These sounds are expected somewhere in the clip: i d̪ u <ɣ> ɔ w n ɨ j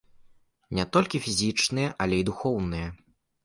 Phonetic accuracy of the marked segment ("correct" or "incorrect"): incorrect